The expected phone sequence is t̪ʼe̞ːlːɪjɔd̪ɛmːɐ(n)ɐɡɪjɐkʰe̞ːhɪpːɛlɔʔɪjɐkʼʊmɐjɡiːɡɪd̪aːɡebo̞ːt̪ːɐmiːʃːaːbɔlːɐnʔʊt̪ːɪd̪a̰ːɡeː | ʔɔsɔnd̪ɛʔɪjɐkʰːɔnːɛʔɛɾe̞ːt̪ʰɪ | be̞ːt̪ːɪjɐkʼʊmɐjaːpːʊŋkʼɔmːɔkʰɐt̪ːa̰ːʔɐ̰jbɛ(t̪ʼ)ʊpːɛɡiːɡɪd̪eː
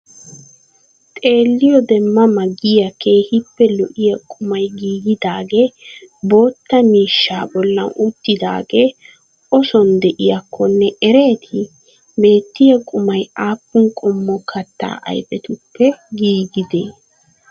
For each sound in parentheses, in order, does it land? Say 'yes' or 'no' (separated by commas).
no, no